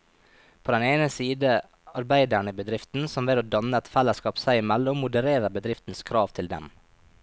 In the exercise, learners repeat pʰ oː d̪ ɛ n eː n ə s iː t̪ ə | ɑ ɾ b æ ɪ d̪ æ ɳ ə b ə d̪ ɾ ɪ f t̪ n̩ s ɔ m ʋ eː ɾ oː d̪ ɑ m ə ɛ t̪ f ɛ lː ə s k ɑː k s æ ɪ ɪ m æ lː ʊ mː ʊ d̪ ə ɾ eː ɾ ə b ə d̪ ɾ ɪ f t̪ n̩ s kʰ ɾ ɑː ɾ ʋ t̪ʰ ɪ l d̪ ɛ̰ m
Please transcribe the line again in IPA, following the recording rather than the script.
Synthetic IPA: pʰ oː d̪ ɛ n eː n ə s iː d̪ ə | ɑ ɾ b æ ɪ d̪ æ ɳ ə b ə d̪ ɾ ɪ f t̪ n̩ s ɔ m ʋ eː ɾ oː d̪ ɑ n ə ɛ t̪ f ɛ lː ə s k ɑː p s æ ɪ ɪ m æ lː ʊ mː ʊ d̪ ə ɾ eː ɾ ə b ə d̪ ɾ ɪ f t̪ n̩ s kʰ ɾ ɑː ʋ t̪ʰ ɪ l d̪ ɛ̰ m